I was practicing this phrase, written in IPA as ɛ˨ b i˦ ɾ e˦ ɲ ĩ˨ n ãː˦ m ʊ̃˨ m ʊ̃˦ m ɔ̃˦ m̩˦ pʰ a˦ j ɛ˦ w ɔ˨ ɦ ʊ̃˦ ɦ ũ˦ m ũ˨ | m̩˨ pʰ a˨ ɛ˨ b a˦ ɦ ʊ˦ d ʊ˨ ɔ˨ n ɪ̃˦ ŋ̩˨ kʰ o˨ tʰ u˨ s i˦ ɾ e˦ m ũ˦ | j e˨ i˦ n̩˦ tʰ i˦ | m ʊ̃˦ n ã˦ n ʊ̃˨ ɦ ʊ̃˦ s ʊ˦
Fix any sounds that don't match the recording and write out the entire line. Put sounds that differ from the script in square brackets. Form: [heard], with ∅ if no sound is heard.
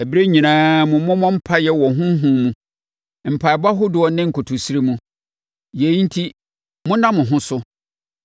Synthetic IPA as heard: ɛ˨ b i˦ ɾ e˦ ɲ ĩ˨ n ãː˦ m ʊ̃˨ m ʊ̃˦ m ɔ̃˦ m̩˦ pʰ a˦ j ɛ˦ w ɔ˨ ɦ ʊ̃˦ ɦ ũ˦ m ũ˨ | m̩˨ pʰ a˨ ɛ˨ b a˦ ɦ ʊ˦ d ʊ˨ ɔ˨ n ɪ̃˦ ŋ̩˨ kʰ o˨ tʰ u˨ s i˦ ɾ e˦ m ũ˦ | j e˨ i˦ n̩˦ tʰ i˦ | m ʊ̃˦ n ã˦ [m] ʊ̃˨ ɦ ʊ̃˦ s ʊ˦